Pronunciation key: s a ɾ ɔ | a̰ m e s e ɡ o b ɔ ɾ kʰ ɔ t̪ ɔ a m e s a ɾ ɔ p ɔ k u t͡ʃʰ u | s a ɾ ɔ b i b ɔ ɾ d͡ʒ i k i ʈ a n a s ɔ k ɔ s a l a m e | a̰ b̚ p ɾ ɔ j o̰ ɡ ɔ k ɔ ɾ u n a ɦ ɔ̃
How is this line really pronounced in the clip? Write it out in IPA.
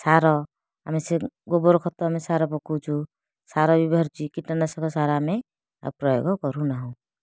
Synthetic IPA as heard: s a ɾ ɔ | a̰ m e s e ɡ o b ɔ ɾ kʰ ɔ t̪ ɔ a m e s a ɾ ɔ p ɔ k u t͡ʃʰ u | s a ɾ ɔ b i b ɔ ɾ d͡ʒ i k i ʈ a n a s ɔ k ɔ s a ɾ a m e | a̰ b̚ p ɾ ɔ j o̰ ɡ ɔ k ɔ ɾ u n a ɦ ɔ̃